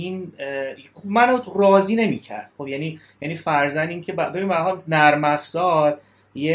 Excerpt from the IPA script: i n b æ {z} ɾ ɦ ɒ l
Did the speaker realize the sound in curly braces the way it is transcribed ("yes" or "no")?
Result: no